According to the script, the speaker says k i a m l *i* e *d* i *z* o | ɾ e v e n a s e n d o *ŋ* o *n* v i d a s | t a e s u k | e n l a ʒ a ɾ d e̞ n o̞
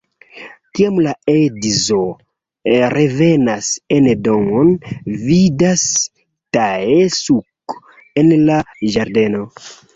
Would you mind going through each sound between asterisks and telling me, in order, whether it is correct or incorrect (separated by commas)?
incorrect, correct, correct, correct, correct